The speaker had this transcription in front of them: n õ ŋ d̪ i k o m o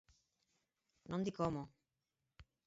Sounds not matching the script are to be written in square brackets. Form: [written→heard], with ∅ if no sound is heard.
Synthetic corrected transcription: n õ [ŋ→n] d̪ i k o m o